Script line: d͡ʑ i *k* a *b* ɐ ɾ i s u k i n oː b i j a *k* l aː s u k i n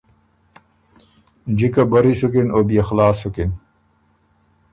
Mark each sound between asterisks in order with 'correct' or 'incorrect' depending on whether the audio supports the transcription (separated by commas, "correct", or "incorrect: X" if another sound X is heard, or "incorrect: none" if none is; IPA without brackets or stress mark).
correct, correct, incorrect: x